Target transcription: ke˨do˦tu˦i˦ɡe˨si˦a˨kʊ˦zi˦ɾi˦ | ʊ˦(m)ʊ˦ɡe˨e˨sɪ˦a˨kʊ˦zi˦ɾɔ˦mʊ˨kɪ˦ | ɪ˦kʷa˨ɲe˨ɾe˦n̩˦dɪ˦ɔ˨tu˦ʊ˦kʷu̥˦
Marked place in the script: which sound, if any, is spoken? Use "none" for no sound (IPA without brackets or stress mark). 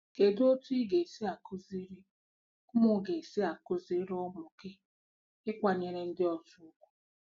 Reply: m